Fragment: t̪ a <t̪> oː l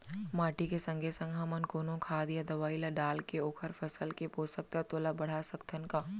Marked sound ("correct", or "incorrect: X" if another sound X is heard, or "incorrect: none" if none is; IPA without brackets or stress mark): correct